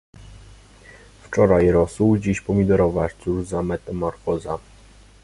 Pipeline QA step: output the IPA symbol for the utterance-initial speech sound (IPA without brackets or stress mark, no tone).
f